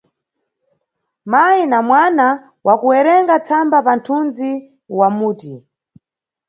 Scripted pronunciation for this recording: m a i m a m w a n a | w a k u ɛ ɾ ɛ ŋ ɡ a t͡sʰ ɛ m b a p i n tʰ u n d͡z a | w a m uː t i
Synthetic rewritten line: m a i n a m w a n a | w a k u ɛ ɾ ɛ ŋ ɡ a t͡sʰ a m b a p a n tʰ u n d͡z i | w a m uː t i